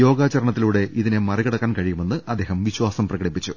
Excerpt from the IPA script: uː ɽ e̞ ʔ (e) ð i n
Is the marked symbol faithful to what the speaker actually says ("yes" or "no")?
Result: no